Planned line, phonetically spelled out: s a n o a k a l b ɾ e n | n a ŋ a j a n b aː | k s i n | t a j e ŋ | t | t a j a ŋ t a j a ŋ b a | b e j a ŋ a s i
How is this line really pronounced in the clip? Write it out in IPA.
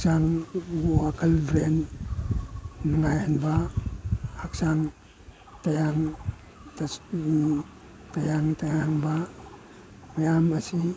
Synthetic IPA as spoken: s a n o a k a l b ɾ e n | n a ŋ a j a n b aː | k s a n | t a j a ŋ | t | t a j a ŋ t a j a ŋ b a | m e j a m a s i